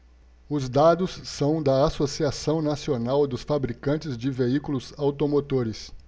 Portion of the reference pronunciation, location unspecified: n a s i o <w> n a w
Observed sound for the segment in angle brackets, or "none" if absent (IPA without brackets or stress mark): none